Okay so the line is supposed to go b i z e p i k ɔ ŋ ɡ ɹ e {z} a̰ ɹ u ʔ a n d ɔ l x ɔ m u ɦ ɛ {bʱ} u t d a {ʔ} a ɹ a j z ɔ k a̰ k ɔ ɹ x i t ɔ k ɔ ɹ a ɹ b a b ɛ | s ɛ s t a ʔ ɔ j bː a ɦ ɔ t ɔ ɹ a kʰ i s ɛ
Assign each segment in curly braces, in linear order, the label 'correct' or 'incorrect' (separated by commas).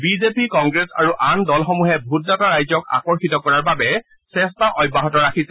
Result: incorrect, correct, incorrect